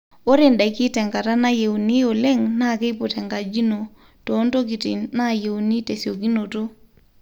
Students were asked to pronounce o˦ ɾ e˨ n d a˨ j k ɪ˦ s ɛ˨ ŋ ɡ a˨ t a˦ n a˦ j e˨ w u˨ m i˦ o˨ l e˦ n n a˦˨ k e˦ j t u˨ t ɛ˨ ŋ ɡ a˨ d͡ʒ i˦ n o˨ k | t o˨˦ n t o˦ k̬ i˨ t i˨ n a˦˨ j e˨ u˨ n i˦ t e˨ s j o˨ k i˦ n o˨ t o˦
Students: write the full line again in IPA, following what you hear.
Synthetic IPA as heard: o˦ ɾ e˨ n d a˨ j k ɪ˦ t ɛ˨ ŋ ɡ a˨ t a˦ n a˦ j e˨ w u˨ n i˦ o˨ l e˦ ŋ n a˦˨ k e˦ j p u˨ t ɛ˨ ŋ ɡ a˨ d͡ʒ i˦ n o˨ | t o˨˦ n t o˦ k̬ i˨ t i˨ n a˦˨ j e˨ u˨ n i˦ t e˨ s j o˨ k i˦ n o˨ t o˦